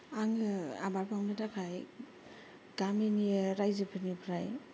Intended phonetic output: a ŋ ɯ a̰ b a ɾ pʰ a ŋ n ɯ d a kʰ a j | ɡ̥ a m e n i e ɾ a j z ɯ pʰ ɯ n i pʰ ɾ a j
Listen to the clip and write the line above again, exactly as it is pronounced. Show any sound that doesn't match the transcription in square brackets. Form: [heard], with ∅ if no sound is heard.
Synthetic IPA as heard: a ŋ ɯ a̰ b a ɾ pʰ a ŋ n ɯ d a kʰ a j | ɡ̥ a m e n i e ɾ a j z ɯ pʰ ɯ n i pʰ ɾ a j